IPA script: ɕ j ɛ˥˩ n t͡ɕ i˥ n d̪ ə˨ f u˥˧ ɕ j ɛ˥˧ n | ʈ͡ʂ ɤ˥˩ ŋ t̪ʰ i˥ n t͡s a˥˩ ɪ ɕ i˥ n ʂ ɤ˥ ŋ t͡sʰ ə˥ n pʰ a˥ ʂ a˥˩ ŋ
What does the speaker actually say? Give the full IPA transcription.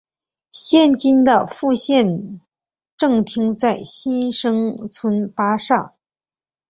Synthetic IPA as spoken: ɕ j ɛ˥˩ n t͡ɕ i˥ n d̪ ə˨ f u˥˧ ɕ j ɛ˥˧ n | ʈ͡ʂ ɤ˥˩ ŋ t̪ʰ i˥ ŋ t͡s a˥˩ ɪ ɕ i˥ n ʂ ɤ˥ ŋ t͡sʰ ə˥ n p a˥ ʂ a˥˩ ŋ

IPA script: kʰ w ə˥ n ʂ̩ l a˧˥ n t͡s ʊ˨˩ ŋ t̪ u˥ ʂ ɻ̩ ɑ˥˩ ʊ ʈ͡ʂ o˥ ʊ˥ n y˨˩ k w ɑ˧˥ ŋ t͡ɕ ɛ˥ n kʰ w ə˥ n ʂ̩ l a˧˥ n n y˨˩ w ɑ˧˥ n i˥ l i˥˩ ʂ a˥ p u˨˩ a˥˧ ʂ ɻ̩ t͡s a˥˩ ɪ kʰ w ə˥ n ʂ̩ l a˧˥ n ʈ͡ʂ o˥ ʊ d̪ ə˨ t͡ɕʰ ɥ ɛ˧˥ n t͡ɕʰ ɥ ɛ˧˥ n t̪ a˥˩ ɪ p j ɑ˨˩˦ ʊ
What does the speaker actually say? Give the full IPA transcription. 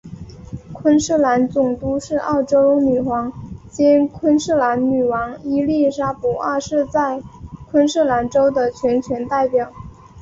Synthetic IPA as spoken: kʰ w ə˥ n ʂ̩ l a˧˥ n t͡s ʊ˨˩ ŋ t̪ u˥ ʂ ɻ̩ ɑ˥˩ ʊ ʈ͡ʂ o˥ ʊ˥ n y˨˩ x w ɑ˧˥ ŋ t͡ɕ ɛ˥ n kʰ w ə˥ n ʂ̩ l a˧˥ n n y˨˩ w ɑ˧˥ ŋ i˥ l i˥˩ ʂ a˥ p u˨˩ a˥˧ ʂ ɻ̩ t͡s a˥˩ ɪ kʰ w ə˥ n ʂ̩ l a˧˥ n ʈ͡ʂ o˥ ʊ d̪ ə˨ t͡ɕʰ ɥ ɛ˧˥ n t͡ɕʰ ɥ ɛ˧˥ n t̪ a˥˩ ɪ p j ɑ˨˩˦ ʊ

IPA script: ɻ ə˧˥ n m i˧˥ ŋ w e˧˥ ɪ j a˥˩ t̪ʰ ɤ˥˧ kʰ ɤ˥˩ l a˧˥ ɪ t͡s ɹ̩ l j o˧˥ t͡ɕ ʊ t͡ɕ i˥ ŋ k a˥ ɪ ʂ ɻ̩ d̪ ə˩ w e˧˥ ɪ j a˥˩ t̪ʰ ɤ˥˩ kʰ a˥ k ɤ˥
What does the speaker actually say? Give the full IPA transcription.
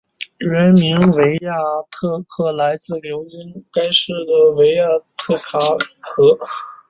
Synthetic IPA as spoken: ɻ ə˧˥ n m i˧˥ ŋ w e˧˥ ɪ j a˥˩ t̪ʰ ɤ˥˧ kʰ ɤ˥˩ l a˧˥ ɪ t͡s ɹ̩ l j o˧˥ ʊ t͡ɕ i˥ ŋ k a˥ ɪ ʂ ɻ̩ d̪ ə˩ w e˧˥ ɪ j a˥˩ t̪ʰ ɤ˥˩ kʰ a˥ kʰ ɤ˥

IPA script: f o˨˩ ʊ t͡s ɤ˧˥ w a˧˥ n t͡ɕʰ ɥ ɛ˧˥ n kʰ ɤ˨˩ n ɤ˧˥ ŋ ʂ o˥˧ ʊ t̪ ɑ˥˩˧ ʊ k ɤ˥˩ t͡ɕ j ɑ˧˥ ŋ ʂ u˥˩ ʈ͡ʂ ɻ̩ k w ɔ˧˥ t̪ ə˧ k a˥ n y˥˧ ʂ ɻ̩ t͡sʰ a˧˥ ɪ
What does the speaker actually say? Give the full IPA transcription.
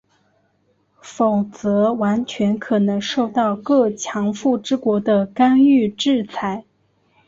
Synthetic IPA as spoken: f o˨˩ ʊ t͡s ɤ˧˥ w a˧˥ n t͡ɕʰ ɥ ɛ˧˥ n kʰ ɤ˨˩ n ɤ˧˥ ŋ ʂ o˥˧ ʊ t̪ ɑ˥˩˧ ʊ k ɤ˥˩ t͡ɕʰ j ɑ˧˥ ŋ f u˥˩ ʈ͡ʂ ɻ̩ k w ɔ˧˥ d̪ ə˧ k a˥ n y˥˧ ʈ͡ʂ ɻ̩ t͡sʰ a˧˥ ɪ

